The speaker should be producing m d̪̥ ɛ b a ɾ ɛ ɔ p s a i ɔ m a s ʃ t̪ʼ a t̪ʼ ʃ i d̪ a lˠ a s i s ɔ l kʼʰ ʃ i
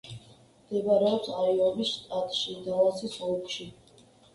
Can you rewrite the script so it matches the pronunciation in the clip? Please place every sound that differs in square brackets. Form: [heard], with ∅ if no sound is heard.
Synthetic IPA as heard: m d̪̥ ɛ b a ɾ ɛ ɔ p s a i ɔ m [i] s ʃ t̪ʼ a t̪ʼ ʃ i d̪ a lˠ a s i s ɔ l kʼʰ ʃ i